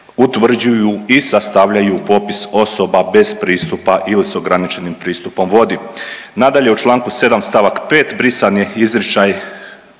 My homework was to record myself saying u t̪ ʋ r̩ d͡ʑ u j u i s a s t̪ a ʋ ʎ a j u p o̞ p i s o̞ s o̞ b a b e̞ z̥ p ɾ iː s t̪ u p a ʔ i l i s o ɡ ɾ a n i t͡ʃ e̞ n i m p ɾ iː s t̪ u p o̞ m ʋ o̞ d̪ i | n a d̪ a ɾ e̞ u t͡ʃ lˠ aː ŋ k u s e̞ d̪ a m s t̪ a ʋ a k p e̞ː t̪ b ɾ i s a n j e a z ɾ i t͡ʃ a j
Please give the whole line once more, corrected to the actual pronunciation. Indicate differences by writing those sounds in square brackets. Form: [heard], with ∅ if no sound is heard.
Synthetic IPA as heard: u t̪ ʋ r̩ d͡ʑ u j u i s a s t̪ a ʋ ʎ a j u p o̞ p i s o̞ s o̞ b a b e̞ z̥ p ɾ iː s t̪ u p a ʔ i l i s o ɡ ɾ a n i t͡ʃ e̞ n i m p ɾ iː s t̪ u p o̞ m ʋ o̞ d̪ i | n a d̪ a [ʎ] e̞ u t͡ʃ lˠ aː ŋ k u s e̞ d̪ a m s t̪ a ʋ a k p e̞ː t̪ b ɾ i s a n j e [i] z ɾ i t͡ʃ a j